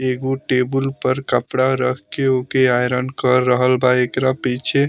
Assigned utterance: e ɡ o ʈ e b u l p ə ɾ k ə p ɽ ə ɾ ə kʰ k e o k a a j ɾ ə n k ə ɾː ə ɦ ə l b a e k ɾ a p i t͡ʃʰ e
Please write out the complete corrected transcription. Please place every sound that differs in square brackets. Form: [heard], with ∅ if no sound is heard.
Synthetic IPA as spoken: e ɡ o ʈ e b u l p ə ɾ k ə p ɽ [a] ɾ ə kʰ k e o k [e] a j ɾ ə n k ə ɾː ə ɦ ə l b a e k ɾ a p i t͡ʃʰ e